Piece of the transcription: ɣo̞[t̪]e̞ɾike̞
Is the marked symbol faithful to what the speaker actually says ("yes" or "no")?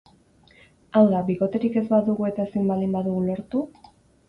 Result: yes